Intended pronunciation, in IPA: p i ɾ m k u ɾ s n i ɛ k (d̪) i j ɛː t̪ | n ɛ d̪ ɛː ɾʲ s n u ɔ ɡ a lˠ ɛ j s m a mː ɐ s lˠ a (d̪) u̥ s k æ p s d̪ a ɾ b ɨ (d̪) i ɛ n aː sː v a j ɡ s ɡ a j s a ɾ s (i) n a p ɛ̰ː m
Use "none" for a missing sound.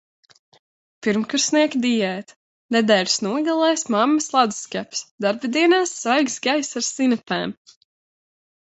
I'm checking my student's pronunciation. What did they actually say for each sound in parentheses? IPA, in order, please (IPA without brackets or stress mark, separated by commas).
d̪, d̪, d̪, i